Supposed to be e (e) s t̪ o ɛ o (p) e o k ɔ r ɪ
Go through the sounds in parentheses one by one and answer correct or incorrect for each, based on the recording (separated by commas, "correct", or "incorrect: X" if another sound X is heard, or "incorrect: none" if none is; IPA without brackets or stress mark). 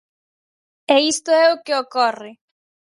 incorrect: i, incorrect: k